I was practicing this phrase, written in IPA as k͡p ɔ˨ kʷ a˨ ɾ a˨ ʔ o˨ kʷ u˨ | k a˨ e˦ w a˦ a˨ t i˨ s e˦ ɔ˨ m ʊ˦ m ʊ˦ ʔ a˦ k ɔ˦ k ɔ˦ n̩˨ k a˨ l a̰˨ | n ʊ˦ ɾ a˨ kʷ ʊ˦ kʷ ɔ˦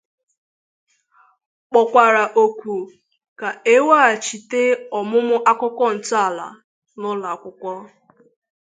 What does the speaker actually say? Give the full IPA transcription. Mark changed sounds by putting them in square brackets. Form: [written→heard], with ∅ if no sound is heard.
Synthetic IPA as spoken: k͡p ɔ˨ kʷ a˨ ɾ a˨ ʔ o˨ kʷ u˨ | k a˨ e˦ w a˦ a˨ [t→t͡ʃ] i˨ [s→t] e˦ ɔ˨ m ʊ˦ m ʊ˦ ʔ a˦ k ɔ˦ k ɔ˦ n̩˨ [k→t] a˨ l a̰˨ | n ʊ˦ [ɾ→l] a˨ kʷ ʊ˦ kʷ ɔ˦